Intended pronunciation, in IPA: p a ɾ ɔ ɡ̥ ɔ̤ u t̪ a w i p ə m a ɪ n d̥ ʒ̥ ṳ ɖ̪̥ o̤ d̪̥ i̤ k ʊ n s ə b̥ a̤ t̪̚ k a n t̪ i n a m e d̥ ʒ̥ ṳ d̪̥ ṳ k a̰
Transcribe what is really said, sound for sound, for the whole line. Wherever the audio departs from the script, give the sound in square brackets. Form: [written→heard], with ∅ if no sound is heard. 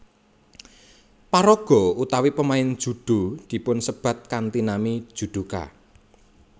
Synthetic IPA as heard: p a ɾ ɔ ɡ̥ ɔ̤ u t̪ a w i p ə m a ɪ n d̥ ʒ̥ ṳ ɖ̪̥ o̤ d̪̥ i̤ [k→p] ʊ n s ə b̥ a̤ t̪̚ k a n t̪ i n a m [e→i] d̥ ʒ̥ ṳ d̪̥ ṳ k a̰